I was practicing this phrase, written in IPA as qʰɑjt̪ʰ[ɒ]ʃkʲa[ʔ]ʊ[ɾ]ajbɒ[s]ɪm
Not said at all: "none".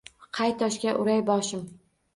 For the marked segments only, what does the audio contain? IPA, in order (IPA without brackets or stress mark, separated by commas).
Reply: ɒ, ʔ, ɾ, ʃ